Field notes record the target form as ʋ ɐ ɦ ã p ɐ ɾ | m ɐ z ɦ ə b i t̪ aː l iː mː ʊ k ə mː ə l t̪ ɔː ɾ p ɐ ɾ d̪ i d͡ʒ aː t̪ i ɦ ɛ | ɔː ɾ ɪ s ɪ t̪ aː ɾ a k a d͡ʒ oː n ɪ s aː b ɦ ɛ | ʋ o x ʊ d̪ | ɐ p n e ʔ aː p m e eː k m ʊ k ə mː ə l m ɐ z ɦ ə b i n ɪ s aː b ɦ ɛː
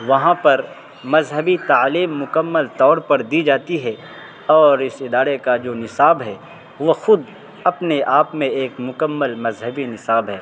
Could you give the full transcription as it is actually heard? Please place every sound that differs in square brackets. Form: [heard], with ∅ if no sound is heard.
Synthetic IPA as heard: ʋ ɐ ɦ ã p ɐ ɾ | m ɐ z ɦ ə b i t̪ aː l iː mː ʊ k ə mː ə l t̪ ɔː ɾ p ɐ ɾ d̪ i d͡ʒ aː t̪ i ɦ ɛ | ɔː ɾ ɪ s ɪ [d̪] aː ɾ [e] k a d͡ʒ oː n ɪ s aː b ɦ ɛ | ʋ o x ʊ d̪ | ɐ p n e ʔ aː p m [ẽ] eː k m ʊ k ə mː ə l m ɐ z ɦ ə b i n ɪ s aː b ɦ ɛː